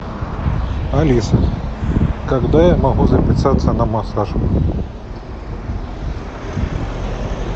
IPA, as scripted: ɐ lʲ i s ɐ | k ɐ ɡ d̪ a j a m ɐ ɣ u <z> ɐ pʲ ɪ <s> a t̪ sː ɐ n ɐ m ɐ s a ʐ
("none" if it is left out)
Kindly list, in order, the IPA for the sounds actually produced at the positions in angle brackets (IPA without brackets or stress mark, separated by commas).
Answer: z, s